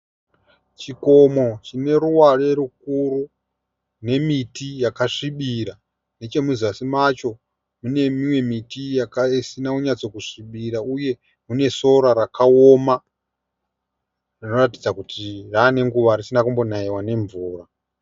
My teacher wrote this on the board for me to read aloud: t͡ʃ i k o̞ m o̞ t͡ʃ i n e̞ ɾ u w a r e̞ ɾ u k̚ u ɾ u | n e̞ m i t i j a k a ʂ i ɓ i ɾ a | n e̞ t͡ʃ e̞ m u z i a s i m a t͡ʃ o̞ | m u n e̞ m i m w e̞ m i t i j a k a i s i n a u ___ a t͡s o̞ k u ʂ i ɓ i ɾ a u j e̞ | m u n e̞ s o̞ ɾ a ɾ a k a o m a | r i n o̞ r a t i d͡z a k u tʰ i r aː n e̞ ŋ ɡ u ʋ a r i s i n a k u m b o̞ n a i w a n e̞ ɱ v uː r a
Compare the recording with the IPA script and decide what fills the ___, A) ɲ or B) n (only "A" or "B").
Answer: A